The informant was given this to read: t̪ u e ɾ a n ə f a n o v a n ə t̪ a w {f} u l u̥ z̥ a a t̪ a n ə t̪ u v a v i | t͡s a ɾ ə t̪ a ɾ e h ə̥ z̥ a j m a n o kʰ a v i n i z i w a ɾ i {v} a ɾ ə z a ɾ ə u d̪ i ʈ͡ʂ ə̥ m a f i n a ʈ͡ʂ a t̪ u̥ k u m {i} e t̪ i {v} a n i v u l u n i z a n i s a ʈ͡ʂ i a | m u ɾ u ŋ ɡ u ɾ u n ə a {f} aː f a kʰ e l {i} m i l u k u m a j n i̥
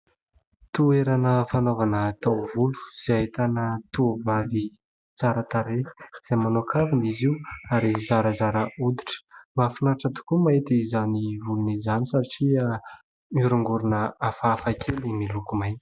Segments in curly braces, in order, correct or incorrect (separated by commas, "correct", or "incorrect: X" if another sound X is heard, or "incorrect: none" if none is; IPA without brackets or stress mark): incorrect: v, incorrect: z, incorrect: a, incorrect: z, correct, correct